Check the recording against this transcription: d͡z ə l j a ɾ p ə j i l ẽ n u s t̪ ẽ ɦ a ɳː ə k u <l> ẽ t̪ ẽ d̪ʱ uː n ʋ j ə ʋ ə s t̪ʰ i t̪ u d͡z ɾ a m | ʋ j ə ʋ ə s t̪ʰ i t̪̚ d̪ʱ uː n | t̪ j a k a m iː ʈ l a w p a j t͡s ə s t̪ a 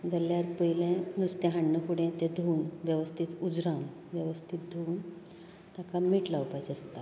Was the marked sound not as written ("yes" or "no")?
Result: yes